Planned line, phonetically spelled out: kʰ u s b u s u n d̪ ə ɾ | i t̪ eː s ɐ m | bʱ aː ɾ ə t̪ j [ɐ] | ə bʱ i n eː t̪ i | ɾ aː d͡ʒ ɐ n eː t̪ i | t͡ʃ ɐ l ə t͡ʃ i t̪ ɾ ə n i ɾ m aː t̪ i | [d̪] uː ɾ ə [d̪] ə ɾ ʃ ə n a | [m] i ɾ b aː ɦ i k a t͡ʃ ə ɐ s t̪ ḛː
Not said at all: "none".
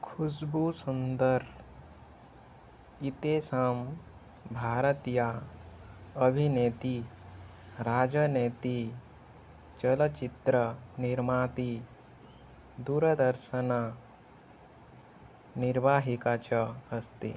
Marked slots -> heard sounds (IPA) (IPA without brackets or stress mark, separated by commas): a, d̪, d̪, n